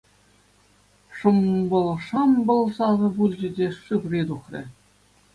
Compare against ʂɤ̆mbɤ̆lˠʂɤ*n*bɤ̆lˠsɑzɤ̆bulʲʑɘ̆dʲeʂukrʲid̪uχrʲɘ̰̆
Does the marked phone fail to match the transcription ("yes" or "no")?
yes